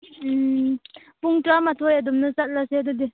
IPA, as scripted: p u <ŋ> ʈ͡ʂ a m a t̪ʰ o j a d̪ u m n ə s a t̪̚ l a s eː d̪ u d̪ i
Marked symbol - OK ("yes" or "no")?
yes